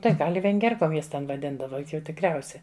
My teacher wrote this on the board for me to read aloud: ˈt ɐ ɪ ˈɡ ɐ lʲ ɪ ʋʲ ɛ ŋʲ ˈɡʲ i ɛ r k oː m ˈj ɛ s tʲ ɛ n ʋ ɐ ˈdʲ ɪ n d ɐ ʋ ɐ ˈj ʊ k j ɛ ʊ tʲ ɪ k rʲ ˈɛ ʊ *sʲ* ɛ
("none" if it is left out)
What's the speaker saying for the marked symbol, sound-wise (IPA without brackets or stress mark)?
sʲ